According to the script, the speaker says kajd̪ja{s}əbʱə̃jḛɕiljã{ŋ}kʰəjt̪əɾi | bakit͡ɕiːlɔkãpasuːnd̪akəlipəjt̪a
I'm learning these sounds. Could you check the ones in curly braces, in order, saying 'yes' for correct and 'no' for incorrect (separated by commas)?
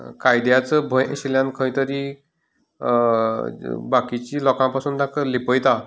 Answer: no, no